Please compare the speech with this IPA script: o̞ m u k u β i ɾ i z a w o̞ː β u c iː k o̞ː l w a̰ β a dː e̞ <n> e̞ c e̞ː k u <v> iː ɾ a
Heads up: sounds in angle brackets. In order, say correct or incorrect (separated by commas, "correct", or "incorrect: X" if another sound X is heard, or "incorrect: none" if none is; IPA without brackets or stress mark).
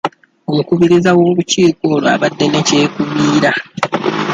correct, incorrect: β